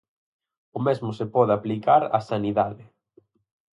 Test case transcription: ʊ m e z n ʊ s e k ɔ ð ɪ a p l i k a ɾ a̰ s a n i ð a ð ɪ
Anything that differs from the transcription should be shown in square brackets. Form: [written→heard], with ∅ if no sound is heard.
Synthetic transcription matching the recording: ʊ m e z [n→m] ʊ s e [k→p] ɔ ð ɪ a p l i k a ɾ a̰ s a n i ð a ð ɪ